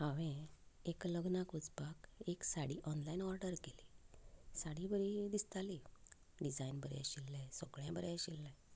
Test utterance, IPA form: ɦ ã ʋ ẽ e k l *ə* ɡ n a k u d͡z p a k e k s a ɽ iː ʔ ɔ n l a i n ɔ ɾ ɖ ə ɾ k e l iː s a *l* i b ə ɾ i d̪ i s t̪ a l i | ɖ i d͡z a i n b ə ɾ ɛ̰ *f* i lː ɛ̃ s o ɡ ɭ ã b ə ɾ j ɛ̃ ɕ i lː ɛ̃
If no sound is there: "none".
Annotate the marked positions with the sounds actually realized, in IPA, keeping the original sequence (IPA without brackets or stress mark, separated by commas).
ə, ɽ, ɕ